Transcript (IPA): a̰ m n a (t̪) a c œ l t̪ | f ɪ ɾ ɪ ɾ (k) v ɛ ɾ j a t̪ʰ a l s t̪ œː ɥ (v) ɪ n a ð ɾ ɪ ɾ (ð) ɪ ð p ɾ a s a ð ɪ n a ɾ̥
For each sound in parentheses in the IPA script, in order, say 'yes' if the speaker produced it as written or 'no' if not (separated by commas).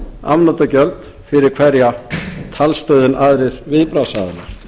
yes, no, no, no